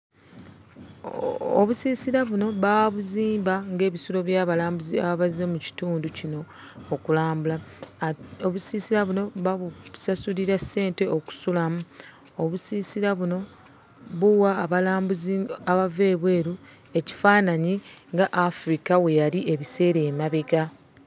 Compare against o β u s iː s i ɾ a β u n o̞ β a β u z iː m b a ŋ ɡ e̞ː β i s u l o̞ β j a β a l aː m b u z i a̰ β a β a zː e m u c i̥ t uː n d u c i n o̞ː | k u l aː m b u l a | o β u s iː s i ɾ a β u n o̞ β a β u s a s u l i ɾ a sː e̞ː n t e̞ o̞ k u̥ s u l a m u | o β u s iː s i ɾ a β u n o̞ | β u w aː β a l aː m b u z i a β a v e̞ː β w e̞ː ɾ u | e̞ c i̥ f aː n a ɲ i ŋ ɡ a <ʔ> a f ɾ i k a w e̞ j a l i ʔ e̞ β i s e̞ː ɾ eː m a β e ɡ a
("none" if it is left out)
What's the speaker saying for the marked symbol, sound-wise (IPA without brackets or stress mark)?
ʔ